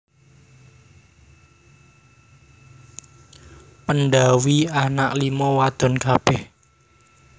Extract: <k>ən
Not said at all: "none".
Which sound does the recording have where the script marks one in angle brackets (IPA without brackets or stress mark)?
p